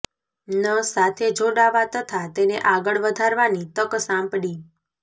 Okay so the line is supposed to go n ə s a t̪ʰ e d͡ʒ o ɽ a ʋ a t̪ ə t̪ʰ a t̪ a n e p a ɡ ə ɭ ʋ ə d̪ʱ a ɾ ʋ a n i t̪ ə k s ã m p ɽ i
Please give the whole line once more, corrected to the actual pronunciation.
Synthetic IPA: n ə s a t̪ʰ e d͡ʒ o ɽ a ʋ a t̪ ə t̪ʰ a t̪ e n e ʔ a ɡ ə ɭ ʋ ə d̪ʱ a ɾ ʋ a n i t̪ ə k s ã m p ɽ i

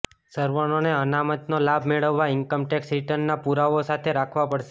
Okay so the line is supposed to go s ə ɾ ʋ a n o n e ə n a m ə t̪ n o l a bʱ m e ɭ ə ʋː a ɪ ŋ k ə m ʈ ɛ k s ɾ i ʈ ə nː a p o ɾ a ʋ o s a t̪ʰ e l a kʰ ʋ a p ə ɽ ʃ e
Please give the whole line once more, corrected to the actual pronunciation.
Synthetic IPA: s ə ɾ ʋ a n o n e ə n a m ə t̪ n o l a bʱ m e ɭ ə ʋː a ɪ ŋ k ə m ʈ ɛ k s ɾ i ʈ ə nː a p u ɾ a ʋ o s a t̪ʰ e ɾ a kʰ ʋ a p ə ɽ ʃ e

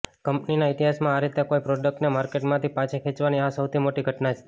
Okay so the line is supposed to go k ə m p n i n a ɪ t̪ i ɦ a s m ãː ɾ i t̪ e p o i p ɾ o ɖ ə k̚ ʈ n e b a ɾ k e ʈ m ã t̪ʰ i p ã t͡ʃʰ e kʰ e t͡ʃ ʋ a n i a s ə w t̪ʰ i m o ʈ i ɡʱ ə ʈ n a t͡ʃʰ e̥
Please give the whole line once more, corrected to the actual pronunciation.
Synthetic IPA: k ə m p n i n a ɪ t̪ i ɦ a s m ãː ɾ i t̪ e k o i p ɾ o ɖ ə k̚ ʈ n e m a ɾ k e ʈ m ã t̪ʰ i p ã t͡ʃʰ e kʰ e t͡ʃ ʋ a n i a s ə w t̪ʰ i m o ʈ i ɡʱ ə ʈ n a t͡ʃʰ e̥

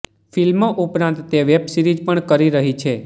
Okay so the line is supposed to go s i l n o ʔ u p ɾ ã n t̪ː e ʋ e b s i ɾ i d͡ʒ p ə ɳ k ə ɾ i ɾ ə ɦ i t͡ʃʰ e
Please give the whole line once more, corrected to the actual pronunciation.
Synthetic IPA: f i l m o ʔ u p ɾ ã n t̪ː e ʋ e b s i ɾ i d͡ʒ p ə ɳ k ə ɾ i ɾ ə ɦ i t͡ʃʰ e

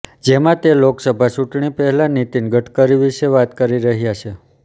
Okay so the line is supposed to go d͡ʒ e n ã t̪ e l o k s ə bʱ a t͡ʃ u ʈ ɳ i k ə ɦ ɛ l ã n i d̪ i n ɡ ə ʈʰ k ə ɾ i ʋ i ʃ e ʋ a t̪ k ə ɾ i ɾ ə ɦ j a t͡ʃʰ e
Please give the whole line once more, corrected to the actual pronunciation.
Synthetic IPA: d͡ʒ e m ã t̪ e l o k s ə bʱ a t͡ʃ u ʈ ɳ i p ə ɦ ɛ l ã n i t̪ i n ɡ ə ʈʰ k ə ɾ i ʋ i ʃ e ʋ a t̪ k ə ɾ i ɾ ə ɦ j a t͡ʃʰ e

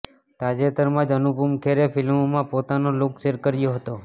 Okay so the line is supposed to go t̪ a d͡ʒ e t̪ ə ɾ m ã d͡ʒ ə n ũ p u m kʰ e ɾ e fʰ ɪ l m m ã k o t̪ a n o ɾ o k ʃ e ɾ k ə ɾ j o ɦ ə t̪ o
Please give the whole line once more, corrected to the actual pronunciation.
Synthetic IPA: t̪ a d͡ʒ e t̪ ə ɾ m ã d͡ʒ ə n u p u m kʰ e ɾ e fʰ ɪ l m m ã p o t̪ a n o l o k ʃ e ɾ k ə ɾ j o ɦ ə t̪ o

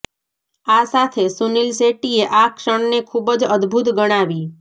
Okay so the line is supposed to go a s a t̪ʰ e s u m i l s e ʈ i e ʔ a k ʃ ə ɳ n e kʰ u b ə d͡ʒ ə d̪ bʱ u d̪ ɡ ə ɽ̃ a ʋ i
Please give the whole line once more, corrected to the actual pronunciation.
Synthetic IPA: a s a t̪ʰ e s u n i l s e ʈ i e ʔ a k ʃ ə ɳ n e kʰ u b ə d͡ʒ ə d̪ bʱ u t̪ ɡ ə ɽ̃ a ʋ i

